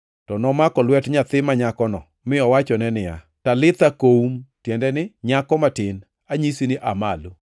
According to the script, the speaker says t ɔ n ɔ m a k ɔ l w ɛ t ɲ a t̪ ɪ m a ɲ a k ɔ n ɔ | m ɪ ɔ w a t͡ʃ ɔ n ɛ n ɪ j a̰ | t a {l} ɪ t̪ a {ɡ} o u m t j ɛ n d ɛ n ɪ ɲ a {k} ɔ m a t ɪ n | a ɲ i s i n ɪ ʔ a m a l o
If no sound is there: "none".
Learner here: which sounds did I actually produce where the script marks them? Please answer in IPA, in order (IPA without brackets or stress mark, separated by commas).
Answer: l, k, k